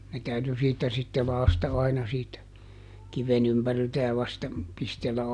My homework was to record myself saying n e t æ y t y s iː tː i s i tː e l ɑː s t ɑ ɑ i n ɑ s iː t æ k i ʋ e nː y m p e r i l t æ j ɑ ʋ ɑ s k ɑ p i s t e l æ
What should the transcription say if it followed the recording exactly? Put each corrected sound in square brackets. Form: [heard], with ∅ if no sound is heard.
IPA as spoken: n e t æ y t y s iː tː [æ] s i tː e l ɑː s t ɑ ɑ i n ɑ s iː t æ k i ʋ e [n] y m p [æ] r i l t æ j ɑ ʋ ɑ s [t] ɑ p i s t e [lː] æ